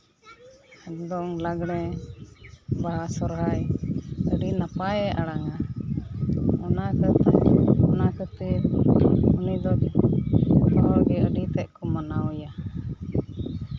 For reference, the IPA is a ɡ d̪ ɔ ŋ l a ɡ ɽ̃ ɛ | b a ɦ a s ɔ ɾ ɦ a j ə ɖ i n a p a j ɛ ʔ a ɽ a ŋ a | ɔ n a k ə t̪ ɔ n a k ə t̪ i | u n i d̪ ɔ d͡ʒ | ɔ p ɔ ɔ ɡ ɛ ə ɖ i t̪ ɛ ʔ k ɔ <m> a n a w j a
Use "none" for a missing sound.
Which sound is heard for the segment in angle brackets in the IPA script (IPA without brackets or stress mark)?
m